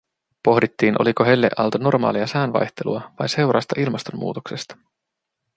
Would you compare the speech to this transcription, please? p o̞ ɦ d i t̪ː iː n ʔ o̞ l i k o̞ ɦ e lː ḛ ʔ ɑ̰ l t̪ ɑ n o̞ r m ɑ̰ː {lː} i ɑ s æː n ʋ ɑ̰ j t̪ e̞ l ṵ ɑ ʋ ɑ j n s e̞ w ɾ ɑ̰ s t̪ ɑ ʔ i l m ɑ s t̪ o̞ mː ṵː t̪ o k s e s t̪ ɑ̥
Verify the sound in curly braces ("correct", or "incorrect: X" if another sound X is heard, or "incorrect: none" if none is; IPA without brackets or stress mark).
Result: incorrect: l